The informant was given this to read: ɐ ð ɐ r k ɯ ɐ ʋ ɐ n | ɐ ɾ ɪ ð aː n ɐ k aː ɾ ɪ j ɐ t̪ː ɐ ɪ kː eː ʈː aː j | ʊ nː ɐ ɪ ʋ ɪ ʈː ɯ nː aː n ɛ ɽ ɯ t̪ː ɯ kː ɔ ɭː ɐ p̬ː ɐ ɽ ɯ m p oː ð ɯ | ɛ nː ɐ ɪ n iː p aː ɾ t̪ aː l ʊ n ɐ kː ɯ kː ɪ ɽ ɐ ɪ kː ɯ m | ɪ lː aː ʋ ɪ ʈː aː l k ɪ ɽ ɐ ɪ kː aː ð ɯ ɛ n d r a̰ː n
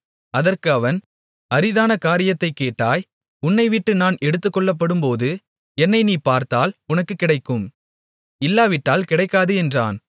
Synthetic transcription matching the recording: ɐ ð ɐ r k ɯ ɐ ʋ ɐ n | ɐ ɾ ɪ ð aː n ɐ k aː ɾ ɪ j ɐ t̪ː ɐ ɪ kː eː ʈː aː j | ʊ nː ɐ ɪ ʋ ɪ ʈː ɯ n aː n ɛ ɽ ɯ t̪ː ɯ kː ɔ ɭː ɐ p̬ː ɐ ɽ ɯ m p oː ð ɯ | ɛ nː ɐ ɪ n iː p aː ɾ t̪ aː l ʊ n ɐ kː ɯ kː ɪ ɽ ɐ ɪ kː ɯ m | ɪ lː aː ʋ ɪ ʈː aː l k ɪ ɽ ɐ ɪ kː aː ð ɯ ɛ n d r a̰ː n